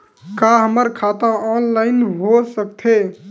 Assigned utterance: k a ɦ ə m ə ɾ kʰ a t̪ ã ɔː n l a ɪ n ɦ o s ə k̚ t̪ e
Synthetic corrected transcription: k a ɦ ə m ə ɾ kʰ a t̪ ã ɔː n l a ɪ n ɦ o s ə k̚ t̪ʰ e